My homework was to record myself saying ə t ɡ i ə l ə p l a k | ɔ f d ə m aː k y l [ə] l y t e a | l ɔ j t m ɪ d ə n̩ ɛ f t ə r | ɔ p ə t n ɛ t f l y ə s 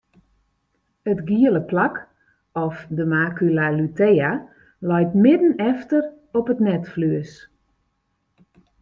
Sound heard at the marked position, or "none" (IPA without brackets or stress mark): a